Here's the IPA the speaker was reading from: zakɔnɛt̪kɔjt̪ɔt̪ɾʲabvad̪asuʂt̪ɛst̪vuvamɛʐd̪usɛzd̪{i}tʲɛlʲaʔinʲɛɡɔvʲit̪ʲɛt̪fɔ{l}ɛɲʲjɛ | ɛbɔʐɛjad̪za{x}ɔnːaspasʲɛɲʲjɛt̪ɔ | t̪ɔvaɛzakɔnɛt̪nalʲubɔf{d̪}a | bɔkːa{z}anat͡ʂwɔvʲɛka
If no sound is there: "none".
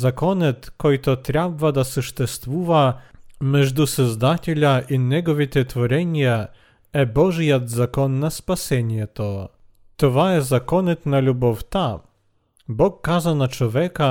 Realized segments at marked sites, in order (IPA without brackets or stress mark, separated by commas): a, ɾ, k, t̪, z